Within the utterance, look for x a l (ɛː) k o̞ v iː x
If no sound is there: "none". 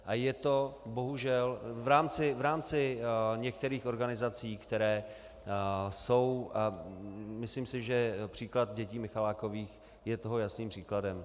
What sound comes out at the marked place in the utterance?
aː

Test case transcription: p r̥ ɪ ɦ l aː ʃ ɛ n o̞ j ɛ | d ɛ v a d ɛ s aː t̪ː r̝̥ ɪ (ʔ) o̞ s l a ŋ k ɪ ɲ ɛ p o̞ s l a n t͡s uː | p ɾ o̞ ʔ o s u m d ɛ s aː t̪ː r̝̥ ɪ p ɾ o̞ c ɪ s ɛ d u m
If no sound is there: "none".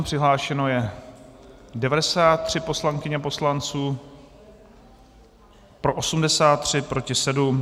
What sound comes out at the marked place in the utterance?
p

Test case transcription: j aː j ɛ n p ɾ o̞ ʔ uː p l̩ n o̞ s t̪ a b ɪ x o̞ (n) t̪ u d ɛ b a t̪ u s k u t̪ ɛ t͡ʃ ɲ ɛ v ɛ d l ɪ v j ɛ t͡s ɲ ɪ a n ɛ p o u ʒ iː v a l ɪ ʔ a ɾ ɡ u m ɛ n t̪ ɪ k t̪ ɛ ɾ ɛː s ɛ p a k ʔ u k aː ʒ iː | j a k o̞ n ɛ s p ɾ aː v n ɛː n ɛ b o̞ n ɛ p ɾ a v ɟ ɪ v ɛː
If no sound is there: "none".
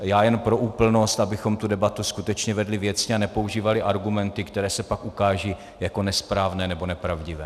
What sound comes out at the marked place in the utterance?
m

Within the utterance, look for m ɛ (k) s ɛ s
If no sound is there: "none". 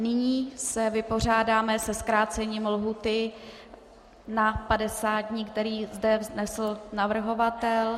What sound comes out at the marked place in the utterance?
none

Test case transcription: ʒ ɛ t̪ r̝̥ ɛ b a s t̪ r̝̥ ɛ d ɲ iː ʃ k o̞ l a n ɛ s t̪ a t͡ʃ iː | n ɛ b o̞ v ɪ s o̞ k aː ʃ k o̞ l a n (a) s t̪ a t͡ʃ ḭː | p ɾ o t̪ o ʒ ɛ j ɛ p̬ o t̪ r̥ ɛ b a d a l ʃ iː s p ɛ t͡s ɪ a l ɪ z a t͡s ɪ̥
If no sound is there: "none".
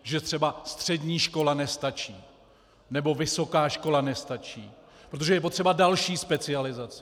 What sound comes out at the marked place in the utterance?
ɛ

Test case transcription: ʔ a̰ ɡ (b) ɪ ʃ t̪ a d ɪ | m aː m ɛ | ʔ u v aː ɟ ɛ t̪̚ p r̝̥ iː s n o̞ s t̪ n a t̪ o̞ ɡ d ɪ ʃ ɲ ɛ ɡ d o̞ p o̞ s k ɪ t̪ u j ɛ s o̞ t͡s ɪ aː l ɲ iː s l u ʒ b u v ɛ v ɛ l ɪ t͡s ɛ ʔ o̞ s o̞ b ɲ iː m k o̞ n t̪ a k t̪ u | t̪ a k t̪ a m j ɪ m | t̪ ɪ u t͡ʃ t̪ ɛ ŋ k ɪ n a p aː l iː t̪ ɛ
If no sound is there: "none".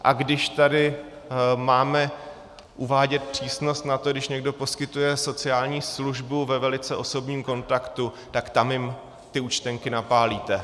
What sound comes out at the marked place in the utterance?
d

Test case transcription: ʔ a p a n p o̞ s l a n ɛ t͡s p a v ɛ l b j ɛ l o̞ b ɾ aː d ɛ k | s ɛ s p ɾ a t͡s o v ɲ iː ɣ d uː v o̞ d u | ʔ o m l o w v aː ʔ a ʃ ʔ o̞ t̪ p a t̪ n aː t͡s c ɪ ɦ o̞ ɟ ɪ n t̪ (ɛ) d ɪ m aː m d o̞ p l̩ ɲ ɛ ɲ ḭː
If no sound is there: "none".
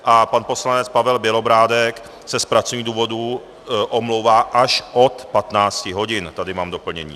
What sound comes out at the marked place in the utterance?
a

